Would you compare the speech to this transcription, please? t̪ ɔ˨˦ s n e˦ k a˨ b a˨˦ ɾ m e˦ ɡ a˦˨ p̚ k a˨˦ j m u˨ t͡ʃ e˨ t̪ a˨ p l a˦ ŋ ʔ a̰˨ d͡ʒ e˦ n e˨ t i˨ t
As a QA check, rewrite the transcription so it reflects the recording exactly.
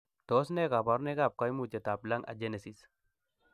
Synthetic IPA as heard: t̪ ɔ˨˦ s n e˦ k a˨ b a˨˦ ɾ n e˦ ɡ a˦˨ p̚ k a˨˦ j m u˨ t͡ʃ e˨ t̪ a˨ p l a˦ ŋ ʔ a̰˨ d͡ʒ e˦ n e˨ s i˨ s